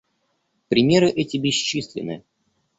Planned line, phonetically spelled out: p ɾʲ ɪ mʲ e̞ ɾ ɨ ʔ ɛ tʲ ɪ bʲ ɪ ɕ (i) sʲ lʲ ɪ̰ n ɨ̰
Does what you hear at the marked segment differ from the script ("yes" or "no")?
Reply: no